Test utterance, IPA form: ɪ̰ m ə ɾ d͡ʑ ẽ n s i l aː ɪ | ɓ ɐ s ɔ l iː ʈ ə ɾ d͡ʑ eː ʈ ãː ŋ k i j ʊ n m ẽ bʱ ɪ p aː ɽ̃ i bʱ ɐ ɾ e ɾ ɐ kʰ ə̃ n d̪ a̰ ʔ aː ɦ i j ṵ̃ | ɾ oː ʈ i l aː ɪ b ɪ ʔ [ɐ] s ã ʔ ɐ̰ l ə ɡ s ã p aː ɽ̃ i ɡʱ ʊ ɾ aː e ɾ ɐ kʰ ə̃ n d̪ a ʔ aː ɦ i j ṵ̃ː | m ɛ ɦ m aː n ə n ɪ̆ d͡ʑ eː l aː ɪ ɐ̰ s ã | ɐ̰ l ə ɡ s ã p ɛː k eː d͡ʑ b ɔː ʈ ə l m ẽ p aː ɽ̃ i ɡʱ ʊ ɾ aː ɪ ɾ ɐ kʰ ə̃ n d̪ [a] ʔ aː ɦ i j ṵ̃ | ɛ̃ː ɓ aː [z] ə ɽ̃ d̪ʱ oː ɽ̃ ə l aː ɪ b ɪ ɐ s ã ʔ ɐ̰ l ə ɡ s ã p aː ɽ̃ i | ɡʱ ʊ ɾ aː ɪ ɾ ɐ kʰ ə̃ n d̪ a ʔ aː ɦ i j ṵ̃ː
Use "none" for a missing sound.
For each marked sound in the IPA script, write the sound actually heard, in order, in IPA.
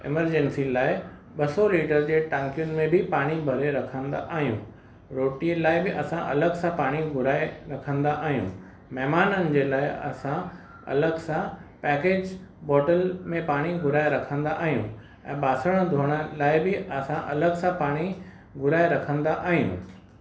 ɐ, a, s

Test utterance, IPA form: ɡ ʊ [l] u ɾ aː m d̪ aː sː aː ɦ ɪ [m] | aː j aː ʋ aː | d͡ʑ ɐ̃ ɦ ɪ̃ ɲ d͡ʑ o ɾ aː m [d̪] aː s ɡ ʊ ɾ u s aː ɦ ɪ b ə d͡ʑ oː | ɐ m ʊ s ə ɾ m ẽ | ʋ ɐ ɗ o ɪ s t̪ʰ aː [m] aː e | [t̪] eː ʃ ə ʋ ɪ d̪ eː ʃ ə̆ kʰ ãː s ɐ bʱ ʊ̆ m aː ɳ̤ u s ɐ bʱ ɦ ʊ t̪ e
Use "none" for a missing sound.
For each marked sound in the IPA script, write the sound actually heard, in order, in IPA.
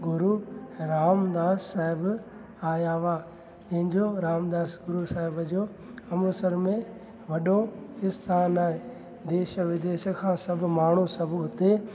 ɾ, b, d̪, n, d̪

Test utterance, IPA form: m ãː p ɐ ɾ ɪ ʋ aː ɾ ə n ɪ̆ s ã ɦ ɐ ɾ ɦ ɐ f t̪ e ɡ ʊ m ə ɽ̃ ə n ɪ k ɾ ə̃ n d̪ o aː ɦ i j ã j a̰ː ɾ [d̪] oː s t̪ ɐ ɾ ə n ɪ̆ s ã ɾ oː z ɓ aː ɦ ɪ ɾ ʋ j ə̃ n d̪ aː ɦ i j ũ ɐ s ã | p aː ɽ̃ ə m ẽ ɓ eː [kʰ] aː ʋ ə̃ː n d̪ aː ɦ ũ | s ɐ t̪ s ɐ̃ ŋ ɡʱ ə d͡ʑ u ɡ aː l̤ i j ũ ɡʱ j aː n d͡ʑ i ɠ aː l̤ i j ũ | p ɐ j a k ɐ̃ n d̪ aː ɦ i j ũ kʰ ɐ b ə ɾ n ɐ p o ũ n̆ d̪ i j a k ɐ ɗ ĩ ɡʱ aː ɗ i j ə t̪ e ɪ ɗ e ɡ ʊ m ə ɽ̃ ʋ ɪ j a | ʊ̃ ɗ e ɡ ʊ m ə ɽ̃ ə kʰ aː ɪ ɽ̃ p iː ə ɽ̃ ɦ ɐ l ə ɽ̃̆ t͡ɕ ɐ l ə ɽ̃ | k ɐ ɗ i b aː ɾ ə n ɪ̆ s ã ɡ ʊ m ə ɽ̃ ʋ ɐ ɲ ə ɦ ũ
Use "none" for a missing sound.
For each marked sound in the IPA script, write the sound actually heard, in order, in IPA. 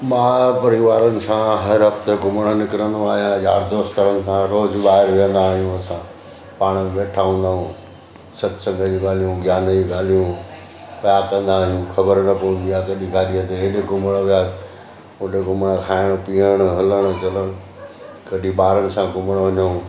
d̪, ʈʰ

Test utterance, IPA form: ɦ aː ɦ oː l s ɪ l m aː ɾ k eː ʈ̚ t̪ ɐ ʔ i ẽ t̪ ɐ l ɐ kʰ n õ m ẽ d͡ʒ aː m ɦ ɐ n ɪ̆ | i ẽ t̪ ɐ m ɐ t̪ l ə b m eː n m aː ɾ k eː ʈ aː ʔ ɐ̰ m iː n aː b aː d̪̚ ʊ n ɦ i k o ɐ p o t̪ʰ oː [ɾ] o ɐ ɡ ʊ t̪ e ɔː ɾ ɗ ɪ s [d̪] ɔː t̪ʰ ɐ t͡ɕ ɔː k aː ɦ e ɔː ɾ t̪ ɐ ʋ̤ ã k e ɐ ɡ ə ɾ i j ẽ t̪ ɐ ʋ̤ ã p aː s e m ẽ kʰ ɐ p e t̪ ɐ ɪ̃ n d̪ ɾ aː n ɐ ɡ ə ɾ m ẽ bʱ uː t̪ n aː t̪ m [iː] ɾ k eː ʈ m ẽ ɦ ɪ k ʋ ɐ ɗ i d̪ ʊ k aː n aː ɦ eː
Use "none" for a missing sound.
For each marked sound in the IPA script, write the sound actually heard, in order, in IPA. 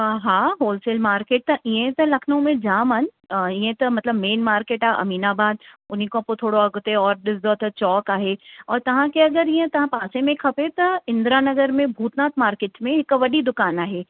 ɽ, d̪, aː

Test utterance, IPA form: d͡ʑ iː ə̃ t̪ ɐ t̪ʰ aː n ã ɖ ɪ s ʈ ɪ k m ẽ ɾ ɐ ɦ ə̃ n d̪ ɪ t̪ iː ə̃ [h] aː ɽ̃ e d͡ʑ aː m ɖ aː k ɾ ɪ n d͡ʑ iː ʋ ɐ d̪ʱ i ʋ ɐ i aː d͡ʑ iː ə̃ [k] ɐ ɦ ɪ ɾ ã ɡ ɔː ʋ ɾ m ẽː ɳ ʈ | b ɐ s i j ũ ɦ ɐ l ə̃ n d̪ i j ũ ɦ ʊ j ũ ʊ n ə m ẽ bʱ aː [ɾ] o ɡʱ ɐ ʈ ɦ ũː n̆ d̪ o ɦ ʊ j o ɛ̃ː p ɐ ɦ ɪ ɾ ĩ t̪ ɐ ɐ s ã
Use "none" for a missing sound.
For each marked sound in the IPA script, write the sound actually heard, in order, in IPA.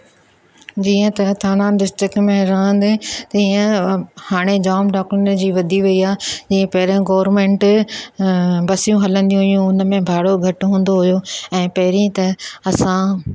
h, p, ɽ

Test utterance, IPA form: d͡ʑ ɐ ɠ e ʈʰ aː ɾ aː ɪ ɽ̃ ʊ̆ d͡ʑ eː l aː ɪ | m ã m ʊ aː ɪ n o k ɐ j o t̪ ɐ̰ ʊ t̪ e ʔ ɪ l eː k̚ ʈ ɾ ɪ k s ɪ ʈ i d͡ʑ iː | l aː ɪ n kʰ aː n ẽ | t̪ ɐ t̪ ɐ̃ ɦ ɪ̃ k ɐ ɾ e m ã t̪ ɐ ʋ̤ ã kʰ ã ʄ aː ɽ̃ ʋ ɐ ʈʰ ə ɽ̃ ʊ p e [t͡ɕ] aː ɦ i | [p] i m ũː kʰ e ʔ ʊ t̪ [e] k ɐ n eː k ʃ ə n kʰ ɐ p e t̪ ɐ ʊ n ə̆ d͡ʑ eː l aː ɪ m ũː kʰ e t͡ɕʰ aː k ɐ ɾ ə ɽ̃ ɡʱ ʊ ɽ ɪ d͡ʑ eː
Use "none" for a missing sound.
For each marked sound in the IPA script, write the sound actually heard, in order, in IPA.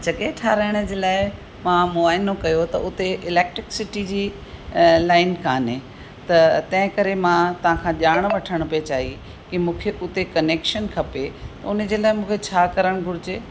t͡ɕ, k, e

